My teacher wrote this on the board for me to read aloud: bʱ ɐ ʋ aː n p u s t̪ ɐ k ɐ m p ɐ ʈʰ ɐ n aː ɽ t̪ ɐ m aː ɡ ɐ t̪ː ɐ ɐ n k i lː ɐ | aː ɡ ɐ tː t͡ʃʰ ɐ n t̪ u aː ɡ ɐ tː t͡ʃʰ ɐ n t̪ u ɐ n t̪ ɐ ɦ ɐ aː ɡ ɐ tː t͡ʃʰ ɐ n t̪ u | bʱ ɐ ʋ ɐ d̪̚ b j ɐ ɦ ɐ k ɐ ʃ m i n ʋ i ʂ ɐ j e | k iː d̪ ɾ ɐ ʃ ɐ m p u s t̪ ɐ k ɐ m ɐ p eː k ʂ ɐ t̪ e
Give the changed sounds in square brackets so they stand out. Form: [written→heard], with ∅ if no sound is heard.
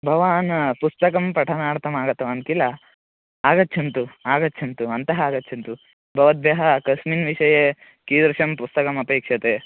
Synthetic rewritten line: bʱ ɐ ʋ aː n p u s t̪ ɐ k ɐ m p ɐ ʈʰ ɐ n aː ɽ t̪ ɐ m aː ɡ ɐ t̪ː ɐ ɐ n k i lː ɐ | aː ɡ ɐ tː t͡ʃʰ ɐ n t̪ u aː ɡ ɐ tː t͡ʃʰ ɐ n t̪ u ɐ n t̪ ɐ ɦ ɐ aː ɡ ɐ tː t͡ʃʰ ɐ n t̪ u | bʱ ɐ ʋ ɐ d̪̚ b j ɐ ɦ ɐ k ɐ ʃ m i n ʋ i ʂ ɐ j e | k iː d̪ ɾ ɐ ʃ ɐ m p u s t̪ ɐ k ɐ m ɐ p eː k ʂ ɐ t̪ e